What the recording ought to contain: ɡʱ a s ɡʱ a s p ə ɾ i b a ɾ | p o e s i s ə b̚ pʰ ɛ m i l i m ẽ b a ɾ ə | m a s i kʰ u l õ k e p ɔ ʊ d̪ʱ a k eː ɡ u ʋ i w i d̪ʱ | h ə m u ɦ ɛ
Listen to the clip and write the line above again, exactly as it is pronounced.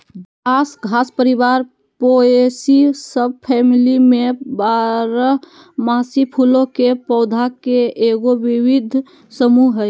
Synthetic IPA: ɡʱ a s ɡʱ a s p ə ɾ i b a ɾ | p o e s i s ə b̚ pʰ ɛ m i l i m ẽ b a ɾ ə | m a s i pʰ u l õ k e p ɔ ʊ d̪ʱ a k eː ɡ o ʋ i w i d̪ʱ | s ə m u ɦ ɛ